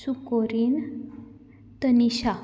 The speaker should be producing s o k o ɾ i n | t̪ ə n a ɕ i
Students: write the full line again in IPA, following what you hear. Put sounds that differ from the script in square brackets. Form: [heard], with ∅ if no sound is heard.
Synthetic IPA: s [u] k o ɾ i n | t̪ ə n [i] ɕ [a]